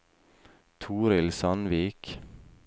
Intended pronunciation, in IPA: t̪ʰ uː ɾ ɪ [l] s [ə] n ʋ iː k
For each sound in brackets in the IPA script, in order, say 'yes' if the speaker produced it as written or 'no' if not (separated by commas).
yes, no